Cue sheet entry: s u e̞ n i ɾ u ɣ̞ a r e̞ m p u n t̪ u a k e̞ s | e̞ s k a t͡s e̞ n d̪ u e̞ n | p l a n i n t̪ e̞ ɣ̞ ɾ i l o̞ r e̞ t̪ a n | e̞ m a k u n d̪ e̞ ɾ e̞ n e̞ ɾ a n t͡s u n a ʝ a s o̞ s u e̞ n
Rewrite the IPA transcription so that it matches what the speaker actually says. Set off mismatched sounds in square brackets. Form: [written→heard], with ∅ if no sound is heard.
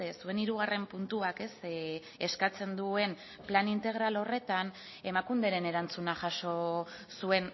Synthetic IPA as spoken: s u e̞ n i ɾ u ɣ̞ a r e̞ m p u n t̪ u a k e̞ s | e̞ s k a t͡s e̞ n d̪ u e̞ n | p l a n i n t̪ e̞ ɣ̞ ɾ [i→a] l o̞ r e̞ t̪ a n | e̞ m a k u n d̪ e̞ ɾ e̞ n e̞ ɾ a n t͡s u n a ʝ a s o̞ s u e̞ n